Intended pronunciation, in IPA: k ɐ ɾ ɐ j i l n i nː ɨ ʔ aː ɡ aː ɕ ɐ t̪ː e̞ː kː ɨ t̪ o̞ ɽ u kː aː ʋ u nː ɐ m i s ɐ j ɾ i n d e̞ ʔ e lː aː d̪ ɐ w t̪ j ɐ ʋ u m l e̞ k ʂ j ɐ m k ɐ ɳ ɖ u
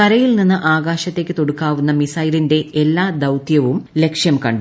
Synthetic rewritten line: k ɐ ɾ ɐ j i l n i nː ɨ ʔ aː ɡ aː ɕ ɐ t̪ː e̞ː kː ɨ t̪ o̞ ɽ u kː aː ʋ u nː ɐ m i s ɐ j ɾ i n d e̞ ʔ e lː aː d̪ ɐ w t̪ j ɐ ʋ u m l e̞ k ʂ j ɐ m k ɐ ɳ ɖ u